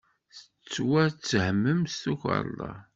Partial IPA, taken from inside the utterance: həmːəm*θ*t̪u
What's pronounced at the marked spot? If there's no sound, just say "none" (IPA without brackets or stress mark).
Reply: s